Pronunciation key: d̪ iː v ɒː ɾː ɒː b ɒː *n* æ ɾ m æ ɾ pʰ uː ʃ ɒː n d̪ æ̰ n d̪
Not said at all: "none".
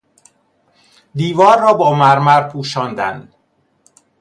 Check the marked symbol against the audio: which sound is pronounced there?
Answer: m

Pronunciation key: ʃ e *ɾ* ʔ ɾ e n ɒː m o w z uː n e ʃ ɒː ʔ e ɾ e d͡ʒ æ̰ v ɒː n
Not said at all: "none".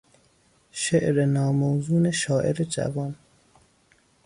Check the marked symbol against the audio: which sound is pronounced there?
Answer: none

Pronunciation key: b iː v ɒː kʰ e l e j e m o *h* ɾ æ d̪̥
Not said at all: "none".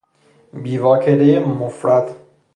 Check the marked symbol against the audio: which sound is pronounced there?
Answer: f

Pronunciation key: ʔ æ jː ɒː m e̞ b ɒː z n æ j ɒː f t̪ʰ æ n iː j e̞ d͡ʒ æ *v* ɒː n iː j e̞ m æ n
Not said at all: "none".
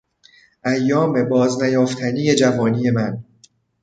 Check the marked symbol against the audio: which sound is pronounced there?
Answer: v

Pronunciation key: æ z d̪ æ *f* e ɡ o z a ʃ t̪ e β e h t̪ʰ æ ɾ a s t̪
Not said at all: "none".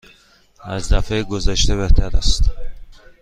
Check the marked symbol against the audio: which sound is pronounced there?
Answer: f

